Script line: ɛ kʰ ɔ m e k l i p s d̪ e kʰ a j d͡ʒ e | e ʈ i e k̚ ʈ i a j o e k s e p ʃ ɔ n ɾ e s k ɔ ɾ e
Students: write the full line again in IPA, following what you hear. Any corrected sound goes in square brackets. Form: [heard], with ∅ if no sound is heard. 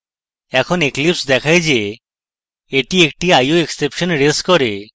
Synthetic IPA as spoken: ɛ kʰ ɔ [n] e k l i p s d̪ [ɛ] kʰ a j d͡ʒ e | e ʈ i e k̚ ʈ i a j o e k s e p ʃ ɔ n ɾ e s k ɔ ɾ e